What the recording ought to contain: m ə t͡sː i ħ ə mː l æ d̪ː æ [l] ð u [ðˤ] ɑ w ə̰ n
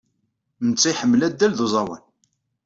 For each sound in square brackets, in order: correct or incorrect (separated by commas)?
correct, incorrect